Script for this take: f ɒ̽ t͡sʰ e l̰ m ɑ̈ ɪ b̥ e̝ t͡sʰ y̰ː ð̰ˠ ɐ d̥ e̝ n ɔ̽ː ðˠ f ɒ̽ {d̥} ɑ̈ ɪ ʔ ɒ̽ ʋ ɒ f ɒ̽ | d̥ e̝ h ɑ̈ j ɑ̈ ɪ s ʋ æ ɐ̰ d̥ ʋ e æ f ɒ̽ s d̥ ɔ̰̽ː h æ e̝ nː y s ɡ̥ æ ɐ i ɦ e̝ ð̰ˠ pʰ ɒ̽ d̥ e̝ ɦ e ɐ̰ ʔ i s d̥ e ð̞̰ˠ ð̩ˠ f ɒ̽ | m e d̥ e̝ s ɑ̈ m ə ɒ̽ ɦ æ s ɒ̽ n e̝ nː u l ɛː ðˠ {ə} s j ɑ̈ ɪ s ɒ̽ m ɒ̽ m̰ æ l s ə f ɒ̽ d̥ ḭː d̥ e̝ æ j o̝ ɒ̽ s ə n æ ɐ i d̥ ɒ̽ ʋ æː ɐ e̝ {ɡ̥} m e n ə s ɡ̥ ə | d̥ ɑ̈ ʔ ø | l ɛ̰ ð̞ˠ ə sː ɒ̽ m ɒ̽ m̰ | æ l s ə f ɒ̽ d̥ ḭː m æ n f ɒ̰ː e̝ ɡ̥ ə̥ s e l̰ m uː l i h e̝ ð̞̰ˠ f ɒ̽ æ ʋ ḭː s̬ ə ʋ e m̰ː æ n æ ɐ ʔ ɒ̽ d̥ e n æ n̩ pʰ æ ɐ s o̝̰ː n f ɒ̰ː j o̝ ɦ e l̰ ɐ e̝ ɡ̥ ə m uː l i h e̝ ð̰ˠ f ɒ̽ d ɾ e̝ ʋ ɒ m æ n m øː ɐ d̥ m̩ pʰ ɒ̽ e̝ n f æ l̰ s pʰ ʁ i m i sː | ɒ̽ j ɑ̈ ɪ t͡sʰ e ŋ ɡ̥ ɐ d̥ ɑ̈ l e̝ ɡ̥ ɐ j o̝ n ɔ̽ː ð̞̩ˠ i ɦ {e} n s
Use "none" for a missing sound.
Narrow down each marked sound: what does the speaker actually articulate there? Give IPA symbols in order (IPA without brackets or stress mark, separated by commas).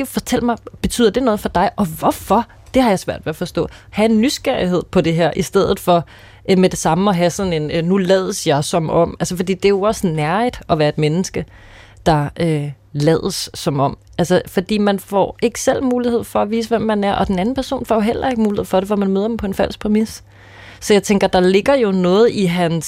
d̥, ə, d̥, æ